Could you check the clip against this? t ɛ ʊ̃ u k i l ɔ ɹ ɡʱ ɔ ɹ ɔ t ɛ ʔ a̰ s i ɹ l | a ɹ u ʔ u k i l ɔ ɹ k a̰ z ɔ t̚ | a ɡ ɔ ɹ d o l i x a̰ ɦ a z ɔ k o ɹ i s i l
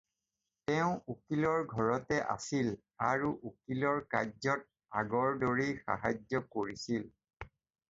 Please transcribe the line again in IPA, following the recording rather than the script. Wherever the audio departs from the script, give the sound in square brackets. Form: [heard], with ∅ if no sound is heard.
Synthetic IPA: t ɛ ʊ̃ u k i l ɔ ɹ ɡʱ ɔ ɹ ɔ t ɛ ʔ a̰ s i [∅] l | a ɹ u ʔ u k i l ɔ ɹ k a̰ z ɔ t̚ | a ɡ ɔ ɹ d o [ɹ] i x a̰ ɦ a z ɔ k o ɹ i s i l